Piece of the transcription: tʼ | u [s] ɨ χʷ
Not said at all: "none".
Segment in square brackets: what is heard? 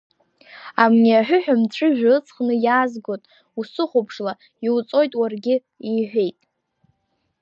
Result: s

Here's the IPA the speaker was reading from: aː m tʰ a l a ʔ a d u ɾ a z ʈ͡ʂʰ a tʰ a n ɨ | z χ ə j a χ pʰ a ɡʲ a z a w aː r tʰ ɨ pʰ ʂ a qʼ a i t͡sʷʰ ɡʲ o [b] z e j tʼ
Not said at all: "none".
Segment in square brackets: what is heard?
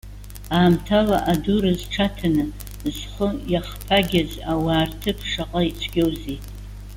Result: w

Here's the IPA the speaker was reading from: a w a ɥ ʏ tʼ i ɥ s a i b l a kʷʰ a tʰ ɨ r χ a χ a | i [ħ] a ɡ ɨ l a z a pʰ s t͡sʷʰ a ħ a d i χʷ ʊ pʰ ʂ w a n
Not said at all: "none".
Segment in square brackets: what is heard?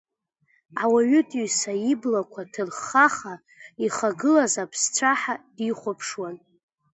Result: χ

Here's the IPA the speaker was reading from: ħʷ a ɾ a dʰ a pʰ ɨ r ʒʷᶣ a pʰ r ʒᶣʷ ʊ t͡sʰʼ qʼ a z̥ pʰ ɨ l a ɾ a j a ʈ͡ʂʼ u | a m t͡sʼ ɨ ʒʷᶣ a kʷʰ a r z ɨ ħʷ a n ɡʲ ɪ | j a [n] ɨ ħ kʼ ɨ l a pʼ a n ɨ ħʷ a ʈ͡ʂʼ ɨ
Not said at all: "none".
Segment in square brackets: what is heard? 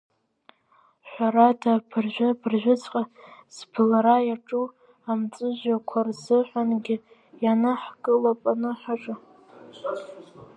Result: n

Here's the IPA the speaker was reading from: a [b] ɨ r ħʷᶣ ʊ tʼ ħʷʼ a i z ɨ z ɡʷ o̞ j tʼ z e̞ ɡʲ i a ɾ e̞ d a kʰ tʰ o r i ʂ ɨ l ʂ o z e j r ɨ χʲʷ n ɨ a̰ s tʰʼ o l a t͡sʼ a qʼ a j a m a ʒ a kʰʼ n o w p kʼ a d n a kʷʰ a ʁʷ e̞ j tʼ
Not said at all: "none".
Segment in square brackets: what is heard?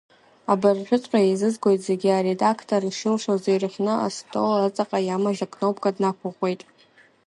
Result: b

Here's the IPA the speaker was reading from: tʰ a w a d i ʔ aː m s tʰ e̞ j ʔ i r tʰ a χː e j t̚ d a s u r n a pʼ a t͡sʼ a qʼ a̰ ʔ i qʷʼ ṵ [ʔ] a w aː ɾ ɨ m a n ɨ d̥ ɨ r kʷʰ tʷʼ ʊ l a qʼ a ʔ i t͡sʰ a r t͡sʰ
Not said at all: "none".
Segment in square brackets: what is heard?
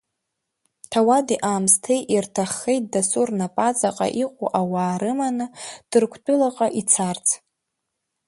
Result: ʔ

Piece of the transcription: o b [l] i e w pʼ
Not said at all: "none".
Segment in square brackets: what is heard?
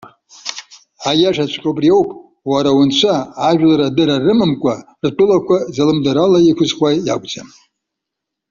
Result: r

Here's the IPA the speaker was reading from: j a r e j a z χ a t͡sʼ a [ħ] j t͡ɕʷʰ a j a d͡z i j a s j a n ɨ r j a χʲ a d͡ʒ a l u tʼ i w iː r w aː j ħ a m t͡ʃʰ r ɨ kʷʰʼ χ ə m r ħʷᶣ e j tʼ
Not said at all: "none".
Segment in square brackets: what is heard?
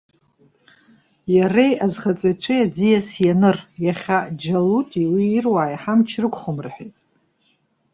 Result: none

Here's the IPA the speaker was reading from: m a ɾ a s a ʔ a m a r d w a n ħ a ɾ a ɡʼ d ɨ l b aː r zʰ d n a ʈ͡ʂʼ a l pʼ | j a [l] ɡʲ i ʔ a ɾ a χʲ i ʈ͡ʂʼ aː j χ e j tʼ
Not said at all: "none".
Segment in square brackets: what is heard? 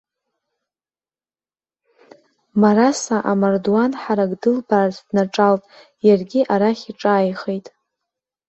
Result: r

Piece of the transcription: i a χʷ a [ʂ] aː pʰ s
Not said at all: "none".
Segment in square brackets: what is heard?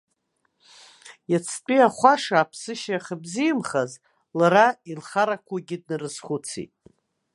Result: ʂ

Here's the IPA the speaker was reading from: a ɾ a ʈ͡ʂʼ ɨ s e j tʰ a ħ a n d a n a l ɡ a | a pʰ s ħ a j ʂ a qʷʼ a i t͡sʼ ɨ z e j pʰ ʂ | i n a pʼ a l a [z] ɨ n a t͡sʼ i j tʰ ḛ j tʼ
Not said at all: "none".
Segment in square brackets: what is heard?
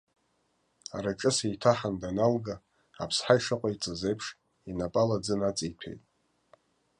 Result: d͡z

